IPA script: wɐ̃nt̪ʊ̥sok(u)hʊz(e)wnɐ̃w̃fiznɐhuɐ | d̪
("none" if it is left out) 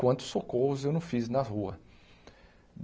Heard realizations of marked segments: o, e

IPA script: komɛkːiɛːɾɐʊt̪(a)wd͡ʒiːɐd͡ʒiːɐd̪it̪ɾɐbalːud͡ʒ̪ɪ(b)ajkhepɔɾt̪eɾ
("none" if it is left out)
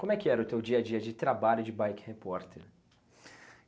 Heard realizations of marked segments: e, b

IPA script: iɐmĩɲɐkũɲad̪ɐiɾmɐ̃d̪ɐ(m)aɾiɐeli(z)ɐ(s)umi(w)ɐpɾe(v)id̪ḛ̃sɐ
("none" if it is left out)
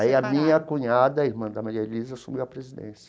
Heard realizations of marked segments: m, z, s, w, z

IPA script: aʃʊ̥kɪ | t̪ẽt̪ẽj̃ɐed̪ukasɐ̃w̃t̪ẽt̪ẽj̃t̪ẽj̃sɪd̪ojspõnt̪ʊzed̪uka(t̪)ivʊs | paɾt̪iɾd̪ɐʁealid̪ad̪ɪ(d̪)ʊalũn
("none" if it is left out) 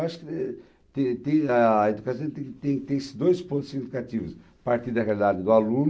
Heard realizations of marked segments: t̪, d̪

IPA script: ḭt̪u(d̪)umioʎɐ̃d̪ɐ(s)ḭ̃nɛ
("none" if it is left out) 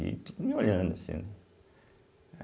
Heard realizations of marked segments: d̪, s

